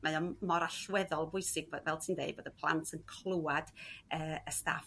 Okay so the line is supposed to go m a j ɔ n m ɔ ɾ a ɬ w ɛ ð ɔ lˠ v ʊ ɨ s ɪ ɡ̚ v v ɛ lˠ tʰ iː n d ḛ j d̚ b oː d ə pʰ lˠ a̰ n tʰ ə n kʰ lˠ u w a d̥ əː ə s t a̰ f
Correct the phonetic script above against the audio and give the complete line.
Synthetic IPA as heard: m a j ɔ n m ɔ ɾ a ɬ w ɛ ð ɔ lˠ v ʊ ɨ s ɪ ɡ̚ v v ɛ lˠ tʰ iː n d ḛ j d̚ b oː d ə pʰ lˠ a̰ n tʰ ə n kʰ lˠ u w a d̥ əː ə s t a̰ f